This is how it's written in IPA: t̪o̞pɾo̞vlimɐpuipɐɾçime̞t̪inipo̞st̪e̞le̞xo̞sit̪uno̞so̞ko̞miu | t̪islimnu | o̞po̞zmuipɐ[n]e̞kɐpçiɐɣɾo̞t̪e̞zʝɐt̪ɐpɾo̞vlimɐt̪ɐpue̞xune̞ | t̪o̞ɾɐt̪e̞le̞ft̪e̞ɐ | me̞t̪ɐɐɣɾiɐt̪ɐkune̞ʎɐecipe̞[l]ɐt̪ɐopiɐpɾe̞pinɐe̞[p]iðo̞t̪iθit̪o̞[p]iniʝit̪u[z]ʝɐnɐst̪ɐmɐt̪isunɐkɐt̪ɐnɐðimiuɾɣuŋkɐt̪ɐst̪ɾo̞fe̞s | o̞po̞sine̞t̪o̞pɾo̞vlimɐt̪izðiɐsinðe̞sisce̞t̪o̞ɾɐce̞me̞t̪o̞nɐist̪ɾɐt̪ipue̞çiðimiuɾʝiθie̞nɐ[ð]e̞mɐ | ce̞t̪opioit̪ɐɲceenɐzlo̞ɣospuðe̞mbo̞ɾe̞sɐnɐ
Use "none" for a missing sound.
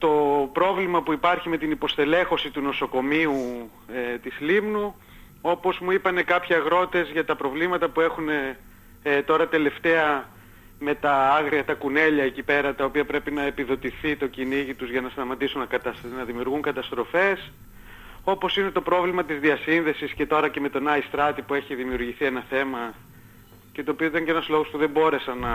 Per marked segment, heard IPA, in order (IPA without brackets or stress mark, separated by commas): n, ɾ, p, c, z, θ